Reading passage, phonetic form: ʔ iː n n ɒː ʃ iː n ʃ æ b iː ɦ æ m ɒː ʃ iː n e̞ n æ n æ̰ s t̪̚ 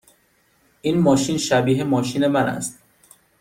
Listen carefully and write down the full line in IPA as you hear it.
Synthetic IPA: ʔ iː n m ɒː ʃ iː n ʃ æ b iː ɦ e m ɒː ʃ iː n e̞ m æ n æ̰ s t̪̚